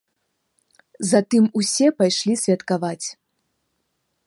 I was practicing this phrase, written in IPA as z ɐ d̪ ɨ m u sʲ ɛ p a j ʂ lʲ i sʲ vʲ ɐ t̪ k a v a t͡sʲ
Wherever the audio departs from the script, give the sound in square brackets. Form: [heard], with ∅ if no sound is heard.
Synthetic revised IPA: z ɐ [t̪] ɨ m u sʲ ɛ p a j ʂ lʲ i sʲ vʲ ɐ t̪ k a v a t͡sʲ